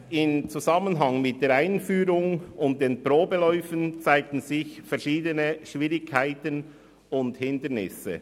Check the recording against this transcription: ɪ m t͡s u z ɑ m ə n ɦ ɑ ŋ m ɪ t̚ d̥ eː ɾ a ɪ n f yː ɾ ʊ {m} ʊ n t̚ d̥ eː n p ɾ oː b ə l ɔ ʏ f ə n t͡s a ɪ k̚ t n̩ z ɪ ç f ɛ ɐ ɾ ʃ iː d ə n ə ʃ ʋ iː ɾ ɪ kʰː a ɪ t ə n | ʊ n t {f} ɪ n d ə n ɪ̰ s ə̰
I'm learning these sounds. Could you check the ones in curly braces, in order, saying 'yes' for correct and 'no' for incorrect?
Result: no, no

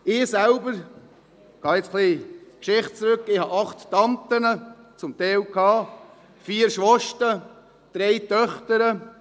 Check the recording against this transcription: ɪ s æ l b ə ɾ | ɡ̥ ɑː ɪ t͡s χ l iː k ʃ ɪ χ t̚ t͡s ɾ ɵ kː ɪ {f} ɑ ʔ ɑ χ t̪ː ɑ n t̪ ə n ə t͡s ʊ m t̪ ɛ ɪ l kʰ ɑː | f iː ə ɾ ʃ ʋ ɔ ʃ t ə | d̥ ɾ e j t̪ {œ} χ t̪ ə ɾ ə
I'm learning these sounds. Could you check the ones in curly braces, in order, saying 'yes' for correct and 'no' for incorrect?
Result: no, yes

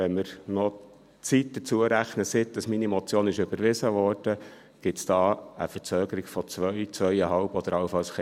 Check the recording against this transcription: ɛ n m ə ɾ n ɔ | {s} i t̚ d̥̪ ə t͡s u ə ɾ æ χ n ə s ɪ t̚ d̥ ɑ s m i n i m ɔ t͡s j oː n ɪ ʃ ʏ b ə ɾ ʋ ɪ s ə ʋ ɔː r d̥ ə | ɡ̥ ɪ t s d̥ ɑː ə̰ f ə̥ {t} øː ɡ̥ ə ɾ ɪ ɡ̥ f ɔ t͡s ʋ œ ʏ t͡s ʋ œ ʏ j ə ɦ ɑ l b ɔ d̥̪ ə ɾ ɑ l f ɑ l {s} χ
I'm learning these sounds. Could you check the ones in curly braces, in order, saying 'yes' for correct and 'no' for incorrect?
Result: no, no, yes

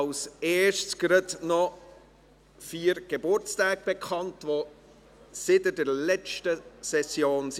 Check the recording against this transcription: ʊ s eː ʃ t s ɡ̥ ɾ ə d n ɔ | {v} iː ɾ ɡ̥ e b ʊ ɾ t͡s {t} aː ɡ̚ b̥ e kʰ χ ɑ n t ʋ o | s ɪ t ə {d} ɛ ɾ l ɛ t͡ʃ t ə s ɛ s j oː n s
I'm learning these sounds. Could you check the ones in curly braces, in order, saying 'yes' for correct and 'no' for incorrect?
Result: no, yes, yes

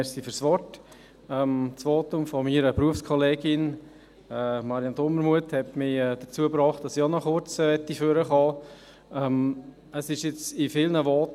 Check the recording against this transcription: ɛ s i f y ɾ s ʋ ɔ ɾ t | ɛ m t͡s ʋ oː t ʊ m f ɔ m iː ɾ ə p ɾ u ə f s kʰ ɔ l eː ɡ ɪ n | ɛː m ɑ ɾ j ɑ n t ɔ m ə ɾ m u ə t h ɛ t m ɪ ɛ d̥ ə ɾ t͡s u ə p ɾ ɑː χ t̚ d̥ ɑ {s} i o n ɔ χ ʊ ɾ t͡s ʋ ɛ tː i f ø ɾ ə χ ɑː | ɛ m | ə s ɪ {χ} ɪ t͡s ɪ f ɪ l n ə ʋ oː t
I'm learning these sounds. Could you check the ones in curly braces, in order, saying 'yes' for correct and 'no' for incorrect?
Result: yes, no

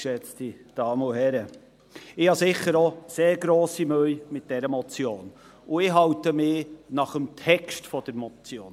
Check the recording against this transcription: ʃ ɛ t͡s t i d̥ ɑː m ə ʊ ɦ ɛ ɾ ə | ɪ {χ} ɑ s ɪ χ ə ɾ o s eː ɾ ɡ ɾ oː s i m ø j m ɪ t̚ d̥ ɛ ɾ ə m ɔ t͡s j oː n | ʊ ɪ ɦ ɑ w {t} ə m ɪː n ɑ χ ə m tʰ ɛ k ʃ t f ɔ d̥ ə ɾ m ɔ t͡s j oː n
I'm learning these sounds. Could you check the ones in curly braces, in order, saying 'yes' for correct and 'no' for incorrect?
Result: no, yes

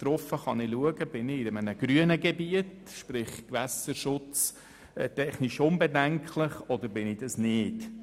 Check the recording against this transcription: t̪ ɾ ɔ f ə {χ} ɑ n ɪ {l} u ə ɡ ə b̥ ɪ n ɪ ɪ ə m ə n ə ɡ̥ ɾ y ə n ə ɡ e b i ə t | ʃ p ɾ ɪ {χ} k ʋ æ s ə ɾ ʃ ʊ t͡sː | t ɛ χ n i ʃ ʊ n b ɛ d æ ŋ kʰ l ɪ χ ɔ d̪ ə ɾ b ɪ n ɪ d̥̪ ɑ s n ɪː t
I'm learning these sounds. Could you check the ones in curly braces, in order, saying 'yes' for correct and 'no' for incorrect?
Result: yes, yes, yes

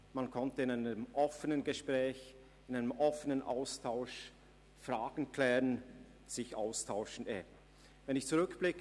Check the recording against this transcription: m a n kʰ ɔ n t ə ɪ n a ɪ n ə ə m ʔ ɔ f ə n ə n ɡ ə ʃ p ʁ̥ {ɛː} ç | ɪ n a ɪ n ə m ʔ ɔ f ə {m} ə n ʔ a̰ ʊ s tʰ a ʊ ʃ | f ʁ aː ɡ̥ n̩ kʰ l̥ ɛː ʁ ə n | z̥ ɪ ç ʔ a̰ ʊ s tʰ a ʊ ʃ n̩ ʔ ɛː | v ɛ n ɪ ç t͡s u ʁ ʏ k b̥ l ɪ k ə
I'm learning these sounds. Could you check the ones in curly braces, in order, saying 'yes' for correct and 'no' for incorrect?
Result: yes, no

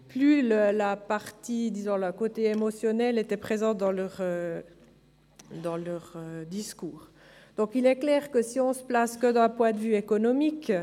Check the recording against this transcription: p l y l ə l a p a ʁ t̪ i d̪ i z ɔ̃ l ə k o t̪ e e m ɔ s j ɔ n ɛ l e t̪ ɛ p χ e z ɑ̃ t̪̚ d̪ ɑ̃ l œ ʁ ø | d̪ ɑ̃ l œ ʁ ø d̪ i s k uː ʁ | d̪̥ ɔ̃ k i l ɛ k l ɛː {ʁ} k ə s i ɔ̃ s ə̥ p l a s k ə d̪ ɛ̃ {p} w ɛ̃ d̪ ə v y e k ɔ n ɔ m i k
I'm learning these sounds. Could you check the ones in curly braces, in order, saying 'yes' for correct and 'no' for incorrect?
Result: yes, yes

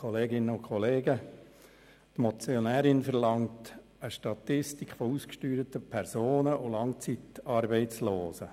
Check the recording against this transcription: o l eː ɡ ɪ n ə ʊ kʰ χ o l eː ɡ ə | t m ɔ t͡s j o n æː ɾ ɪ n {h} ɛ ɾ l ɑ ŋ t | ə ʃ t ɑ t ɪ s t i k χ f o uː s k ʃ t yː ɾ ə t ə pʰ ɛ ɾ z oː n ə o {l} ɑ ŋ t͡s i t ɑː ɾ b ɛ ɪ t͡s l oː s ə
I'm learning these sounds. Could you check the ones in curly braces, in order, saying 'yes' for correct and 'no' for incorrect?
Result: no, yes

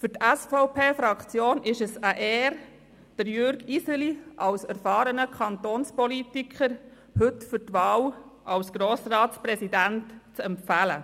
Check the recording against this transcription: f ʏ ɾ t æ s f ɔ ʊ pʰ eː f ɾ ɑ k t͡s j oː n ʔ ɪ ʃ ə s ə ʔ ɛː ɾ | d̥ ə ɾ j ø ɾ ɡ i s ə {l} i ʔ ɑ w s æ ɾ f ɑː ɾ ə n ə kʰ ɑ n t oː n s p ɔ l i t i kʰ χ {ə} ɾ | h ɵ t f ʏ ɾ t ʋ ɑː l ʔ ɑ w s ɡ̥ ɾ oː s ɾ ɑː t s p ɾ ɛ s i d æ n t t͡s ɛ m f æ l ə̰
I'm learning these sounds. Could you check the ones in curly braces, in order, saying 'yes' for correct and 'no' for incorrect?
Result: yes, yes

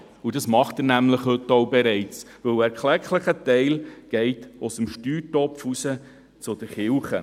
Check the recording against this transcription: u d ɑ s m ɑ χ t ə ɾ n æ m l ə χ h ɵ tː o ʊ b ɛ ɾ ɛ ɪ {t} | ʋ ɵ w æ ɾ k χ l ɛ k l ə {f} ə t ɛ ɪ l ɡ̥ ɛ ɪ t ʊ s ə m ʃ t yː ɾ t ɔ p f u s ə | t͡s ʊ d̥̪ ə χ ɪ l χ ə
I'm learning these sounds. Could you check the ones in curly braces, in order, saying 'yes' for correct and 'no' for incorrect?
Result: no, no

